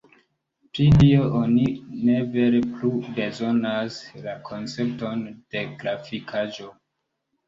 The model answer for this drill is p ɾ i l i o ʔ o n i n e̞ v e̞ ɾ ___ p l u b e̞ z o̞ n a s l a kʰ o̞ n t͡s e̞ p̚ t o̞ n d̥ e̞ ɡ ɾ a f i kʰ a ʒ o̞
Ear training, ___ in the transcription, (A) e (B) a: A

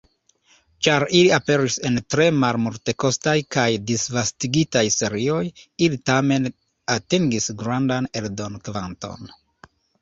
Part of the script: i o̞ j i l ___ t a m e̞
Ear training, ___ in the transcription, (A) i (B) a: A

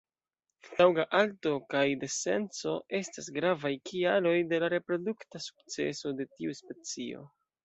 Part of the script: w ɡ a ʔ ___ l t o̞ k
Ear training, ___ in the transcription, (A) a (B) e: A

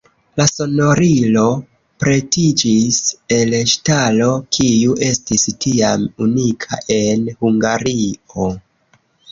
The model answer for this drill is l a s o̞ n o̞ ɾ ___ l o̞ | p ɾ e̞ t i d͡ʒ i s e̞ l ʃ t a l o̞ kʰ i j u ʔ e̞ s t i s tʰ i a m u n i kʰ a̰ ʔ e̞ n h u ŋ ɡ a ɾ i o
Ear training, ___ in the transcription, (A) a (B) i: B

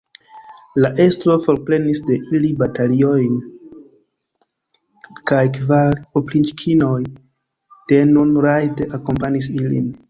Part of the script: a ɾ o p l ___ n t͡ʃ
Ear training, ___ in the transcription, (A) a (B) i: B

